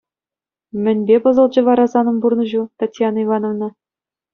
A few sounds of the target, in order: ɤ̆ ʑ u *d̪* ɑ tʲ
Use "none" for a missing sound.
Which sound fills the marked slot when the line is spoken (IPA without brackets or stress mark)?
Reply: t̪